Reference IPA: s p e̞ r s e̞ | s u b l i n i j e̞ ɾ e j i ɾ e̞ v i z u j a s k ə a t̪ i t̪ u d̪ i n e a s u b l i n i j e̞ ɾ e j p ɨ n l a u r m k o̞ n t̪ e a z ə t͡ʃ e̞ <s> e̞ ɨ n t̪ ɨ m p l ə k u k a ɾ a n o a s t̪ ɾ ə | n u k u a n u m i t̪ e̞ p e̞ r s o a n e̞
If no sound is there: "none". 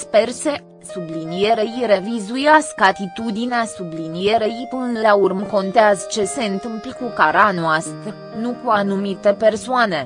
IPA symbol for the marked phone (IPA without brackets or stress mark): s